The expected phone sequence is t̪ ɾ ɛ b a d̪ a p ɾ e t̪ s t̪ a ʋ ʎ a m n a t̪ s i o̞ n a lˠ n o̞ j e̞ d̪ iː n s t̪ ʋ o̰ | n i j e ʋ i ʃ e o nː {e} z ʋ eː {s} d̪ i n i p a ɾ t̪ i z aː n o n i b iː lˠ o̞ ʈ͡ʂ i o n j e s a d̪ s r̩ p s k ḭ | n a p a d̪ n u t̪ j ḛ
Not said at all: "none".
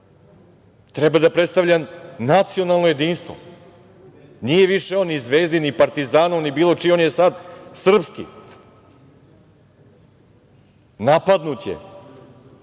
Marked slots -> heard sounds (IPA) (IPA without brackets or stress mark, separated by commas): i, z